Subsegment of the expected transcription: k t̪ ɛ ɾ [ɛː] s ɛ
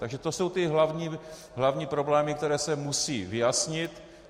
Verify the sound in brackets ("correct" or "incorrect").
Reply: correct